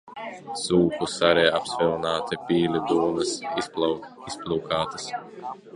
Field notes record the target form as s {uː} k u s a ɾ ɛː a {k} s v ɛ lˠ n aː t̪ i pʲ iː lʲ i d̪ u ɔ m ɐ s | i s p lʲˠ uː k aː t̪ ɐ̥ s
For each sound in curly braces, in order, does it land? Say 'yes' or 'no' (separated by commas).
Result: yes, no